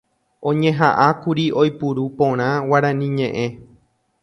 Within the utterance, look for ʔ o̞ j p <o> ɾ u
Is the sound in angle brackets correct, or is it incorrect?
incorrect